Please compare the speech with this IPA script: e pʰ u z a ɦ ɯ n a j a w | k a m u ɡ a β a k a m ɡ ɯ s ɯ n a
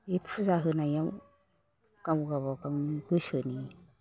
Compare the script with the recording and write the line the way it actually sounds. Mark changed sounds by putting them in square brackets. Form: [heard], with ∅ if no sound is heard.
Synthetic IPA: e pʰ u z a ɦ ɯ n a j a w | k a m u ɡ a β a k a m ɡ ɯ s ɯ n [i]